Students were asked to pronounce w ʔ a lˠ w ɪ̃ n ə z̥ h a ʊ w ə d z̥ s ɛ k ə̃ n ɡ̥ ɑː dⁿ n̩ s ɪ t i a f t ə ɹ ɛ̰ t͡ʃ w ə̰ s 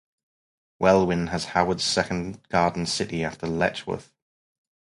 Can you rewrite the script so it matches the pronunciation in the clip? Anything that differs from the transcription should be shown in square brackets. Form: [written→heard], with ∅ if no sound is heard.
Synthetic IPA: w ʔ [a→ɛ] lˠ w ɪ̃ n ə z̥ h a ʊ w ə d z̥ s ɛ k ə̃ n ɡ̥ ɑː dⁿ n̩ s ɪ t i a f t ə [ɹ→l] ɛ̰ t͡ʃ w ə̰ [s→θ]